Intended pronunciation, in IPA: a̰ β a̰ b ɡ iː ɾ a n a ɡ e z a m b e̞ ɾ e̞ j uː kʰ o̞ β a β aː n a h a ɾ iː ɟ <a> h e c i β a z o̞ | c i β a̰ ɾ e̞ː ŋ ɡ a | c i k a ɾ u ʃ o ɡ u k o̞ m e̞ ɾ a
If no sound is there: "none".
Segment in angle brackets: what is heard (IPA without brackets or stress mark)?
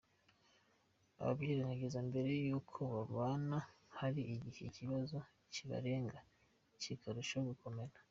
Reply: i